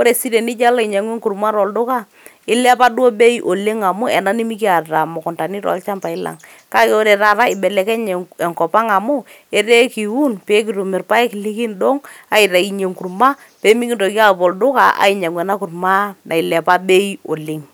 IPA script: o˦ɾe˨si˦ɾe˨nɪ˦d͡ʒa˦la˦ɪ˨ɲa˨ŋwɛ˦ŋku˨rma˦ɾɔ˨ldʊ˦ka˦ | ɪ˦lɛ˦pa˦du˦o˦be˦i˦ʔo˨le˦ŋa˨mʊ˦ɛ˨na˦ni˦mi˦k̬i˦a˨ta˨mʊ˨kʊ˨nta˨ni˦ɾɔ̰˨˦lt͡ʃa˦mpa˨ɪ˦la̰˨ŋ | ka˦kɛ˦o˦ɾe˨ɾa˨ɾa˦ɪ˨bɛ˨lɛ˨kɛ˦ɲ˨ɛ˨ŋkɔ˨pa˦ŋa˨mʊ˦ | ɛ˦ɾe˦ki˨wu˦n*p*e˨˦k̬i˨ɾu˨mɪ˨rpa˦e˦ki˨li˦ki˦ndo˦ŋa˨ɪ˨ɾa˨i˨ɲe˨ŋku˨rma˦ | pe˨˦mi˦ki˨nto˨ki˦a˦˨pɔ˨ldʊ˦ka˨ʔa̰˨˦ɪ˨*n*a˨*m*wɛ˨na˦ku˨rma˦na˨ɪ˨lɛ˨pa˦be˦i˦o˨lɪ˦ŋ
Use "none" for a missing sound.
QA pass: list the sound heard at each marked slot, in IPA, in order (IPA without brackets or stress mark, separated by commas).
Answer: p, ɲ, ŋ